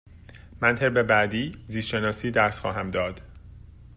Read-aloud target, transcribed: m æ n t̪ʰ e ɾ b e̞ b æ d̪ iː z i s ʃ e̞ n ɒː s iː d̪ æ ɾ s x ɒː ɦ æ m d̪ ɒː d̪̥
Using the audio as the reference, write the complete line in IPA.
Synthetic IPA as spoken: m æ n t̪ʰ e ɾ b e̞ b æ d̪ iː z i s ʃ e̞ n ɒː s iː d̪ æ ɾ s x ɒː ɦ æ m d̪ ɒː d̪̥